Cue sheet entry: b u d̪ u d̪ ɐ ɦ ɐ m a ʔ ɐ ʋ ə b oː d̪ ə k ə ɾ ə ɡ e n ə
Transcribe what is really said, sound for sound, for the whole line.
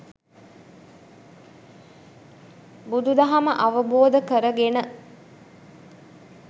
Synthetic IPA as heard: b u d̪ u d̪ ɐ ɦ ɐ m ə ʔ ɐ ʋ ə b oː d̪ ə k ə ɾ ə ɡ e n ə